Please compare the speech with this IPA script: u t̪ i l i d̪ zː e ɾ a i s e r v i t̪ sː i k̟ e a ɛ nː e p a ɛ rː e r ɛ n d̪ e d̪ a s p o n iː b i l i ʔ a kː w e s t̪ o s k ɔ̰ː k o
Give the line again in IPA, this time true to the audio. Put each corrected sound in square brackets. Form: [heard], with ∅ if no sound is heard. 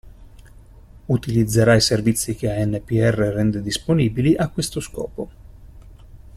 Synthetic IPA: u t̪ i l i d̪ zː e ɾ a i s e r v i t̪ sː i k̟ e a ɛ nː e p [i] ɛ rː e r ɛ n d̪ e d̪ [i] s p o n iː b i l i ʔ a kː w e s t̪ o s k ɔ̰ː [p] o